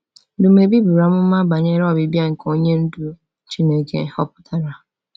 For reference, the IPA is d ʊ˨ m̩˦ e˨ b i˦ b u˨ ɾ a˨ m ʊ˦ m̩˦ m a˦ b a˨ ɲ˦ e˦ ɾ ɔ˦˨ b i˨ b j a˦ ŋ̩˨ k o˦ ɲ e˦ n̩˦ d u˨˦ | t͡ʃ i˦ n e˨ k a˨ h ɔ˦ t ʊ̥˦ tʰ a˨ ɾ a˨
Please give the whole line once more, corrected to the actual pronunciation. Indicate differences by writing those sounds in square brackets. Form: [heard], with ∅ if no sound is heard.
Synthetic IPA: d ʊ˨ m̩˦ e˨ b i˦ b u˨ ɾ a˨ m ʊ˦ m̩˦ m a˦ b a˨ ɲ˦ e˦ ɾ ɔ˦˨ b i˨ b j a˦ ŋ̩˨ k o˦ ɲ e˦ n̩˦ d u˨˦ | t͡ʃ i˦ n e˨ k [e˨] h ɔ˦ [p] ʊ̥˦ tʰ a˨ ɾ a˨